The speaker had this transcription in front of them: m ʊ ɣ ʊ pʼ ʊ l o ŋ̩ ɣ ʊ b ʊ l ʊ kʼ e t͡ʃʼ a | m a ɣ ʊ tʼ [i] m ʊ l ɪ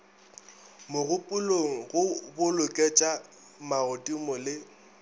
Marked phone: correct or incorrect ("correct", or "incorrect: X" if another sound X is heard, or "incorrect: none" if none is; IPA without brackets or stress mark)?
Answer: correct